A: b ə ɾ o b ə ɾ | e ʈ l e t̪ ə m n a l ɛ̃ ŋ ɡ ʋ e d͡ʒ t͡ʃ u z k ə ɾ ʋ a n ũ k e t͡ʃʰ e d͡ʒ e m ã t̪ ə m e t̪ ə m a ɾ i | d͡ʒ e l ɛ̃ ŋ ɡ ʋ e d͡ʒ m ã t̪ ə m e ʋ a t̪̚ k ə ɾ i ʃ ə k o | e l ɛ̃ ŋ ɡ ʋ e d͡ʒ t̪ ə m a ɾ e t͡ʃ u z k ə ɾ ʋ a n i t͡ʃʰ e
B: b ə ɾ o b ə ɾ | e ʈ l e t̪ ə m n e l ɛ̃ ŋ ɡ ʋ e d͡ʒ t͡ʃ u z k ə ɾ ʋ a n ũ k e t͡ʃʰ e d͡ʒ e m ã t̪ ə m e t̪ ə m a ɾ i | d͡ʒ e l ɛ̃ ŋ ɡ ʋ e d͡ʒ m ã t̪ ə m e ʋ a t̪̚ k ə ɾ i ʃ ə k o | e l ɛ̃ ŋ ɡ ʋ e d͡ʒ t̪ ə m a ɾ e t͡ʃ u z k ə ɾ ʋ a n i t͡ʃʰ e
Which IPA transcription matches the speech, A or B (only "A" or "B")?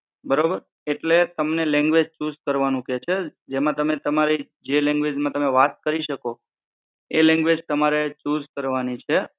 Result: B